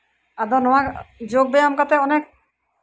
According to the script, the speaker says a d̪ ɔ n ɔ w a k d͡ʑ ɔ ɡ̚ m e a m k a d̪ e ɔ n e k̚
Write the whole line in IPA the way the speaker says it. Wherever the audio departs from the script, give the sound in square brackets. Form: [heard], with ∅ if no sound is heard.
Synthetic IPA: a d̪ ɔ n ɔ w a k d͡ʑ [o] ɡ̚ [b] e a m k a [t̪] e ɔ n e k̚